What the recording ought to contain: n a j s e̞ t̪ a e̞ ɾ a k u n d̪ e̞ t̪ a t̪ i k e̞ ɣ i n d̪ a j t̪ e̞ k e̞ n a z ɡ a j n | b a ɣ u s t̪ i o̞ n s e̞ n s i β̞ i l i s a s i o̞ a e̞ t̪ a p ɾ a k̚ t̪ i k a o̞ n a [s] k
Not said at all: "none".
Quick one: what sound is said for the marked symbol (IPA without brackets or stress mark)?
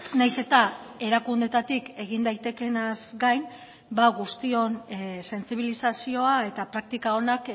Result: none